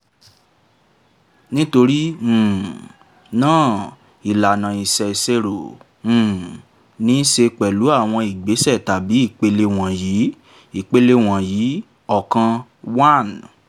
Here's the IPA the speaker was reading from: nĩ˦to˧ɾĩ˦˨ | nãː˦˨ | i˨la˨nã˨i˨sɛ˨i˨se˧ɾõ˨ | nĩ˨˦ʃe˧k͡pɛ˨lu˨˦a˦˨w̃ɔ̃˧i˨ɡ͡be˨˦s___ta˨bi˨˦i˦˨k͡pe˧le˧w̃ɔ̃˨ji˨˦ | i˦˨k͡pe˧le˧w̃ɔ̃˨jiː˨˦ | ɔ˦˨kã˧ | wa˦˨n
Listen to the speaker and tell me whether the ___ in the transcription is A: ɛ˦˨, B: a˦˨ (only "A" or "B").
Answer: A